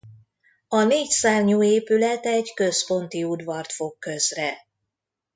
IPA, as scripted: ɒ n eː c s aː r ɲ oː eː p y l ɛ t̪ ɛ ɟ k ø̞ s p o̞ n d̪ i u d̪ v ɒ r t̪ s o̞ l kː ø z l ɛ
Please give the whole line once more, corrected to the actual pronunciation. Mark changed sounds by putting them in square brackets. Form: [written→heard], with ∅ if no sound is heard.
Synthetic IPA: ɒ n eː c s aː r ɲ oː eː p y l ɛ t̪ ɛ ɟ k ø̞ s p o̞ n [d̪→t̪] i u d̪ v ɒ r t̪ [s→f] o̞ [l→∅] kː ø z [l→r] ɛ